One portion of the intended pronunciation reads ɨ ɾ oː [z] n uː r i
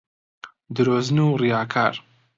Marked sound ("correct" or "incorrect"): correct